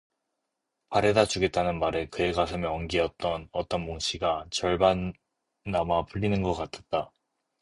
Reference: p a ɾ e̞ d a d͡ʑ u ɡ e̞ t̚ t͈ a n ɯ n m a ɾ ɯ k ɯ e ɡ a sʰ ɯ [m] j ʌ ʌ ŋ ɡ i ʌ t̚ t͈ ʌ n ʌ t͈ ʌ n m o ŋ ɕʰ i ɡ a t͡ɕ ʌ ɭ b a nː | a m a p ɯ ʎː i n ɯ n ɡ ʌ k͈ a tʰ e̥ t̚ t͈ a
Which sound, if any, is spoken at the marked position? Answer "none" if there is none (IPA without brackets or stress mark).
m